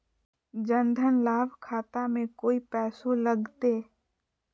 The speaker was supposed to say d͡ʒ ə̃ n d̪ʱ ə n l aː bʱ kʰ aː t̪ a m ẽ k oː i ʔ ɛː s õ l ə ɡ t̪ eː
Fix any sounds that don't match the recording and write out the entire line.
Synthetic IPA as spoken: d͡ʒ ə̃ n d̪ʱ ə n l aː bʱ kʰ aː t̪ a m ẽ k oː i p ɛː s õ l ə ɡ t̪ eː